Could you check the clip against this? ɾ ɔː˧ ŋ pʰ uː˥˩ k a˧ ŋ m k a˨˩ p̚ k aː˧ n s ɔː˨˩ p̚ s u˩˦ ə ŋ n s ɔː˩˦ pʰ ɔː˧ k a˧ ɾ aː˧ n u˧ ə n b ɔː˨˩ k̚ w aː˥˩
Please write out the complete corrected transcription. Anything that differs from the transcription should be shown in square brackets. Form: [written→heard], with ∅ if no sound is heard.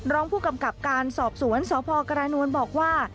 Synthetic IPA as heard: ɾ [ɔː˧→ɔː˦˥] ŋ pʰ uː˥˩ k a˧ [ŋ→∅] m k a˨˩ p̚ k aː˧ n s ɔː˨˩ p̚ s u˩˦ ə [ŋ→∅] n s ɔː˩˦ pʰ ɔː˧ k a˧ ɾ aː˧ n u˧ ə n b ɔː˨˩ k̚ w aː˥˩